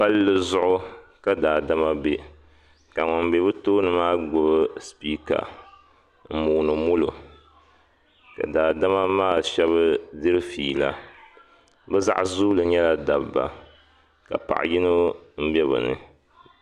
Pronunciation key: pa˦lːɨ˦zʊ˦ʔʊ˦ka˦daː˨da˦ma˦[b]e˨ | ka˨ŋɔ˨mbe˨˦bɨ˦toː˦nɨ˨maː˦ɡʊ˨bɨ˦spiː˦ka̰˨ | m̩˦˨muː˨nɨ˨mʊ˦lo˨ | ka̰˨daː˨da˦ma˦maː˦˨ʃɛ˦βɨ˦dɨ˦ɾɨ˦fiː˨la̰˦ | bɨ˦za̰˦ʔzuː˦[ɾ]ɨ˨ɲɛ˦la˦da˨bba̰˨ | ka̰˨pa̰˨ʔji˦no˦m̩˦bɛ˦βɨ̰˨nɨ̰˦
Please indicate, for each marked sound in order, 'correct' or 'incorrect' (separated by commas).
correct, incorrect